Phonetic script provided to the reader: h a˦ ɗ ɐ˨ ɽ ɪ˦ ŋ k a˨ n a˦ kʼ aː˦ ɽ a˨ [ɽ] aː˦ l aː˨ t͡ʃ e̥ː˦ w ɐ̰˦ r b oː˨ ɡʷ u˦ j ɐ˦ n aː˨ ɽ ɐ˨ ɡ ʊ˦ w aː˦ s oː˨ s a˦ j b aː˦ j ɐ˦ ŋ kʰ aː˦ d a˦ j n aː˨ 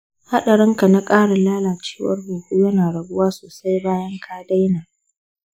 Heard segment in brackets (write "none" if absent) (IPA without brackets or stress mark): l